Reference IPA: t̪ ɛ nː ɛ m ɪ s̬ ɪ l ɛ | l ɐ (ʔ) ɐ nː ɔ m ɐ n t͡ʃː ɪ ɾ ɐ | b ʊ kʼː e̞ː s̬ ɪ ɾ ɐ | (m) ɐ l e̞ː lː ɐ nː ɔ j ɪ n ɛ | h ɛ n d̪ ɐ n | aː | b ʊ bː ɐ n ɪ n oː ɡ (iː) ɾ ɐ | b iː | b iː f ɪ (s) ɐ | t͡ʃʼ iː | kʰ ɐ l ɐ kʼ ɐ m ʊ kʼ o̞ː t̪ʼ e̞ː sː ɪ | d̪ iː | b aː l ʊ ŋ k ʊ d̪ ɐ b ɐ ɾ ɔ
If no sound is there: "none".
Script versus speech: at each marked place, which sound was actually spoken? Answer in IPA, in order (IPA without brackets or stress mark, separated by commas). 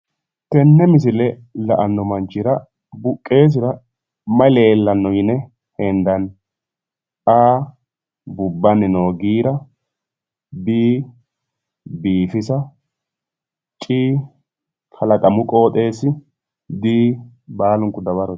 ʔ, m, iː, s